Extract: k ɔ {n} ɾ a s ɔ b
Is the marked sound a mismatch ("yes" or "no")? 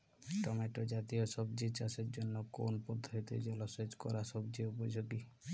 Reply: yes